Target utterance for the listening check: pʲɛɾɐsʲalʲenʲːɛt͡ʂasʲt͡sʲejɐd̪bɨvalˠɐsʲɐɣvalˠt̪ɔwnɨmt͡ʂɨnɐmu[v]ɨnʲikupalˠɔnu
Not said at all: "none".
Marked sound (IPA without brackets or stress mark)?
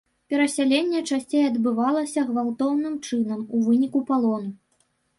v